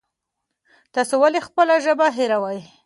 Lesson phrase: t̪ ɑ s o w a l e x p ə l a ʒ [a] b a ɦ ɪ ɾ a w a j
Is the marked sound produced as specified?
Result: no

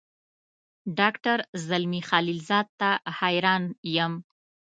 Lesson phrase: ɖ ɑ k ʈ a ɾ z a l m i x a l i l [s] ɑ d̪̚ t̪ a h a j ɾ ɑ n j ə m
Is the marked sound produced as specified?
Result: no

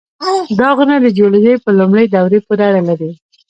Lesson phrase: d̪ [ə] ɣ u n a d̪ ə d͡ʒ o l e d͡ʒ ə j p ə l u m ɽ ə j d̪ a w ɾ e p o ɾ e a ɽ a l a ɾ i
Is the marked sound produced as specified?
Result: no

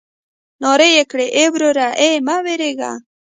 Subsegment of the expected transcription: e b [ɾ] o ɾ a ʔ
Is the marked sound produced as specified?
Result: yes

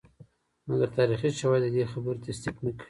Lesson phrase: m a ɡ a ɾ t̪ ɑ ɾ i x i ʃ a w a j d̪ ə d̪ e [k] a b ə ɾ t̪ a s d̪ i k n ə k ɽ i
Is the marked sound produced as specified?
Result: no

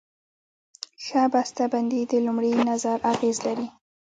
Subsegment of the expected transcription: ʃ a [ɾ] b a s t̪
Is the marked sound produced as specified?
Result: no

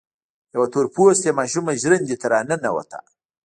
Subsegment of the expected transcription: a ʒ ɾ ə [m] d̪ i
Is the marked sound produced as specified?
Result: no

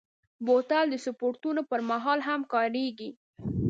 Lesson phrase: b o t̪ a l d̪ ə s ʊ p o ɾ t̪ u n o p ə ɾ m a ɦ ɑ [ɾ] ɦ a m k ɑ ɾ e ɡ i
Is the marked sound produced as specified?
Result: no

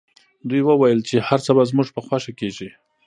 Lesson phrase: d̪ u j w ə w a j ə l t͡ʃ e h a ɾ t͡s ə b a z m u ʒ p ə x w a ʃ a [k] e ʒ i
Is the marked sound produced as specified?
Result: yes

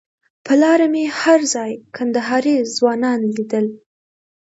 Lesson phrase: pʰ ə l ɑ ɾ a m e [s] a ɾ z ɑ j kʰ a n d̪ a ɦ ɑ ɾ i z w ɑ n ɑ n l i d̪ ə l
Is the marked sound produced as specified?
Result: no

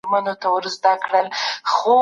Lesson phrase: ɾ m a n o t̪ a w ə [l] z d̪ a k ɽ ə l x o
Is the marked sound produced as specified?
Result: no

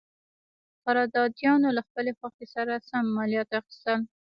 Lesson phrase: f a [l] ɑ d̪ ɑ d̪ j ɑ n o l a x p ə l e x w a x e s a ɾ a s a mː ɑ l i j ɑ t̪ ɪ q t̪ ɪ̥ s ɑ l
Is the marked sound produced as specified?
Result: no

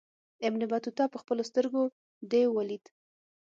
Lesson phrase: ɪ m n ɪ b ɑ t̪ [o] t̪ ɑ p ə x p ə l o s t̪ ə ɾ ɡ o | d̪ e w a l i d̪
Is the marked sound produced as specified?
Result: no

